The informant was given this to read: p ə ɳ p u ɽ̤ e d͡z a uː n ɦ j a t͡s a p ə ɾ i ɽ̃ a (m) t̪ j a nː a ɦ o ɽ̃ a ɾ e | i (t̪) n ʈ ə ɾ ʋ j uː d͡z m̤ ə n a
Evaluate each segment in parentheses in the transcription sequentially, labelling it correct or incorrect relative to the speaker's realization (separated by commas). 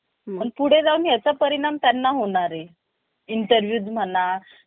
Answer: correct, incorrect